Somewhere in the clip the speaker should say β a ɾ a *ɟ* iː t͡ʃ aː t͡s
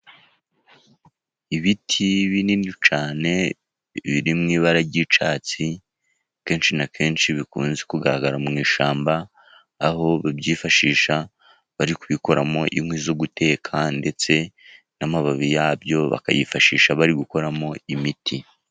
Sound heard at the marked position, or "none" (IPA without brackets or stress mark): ɟ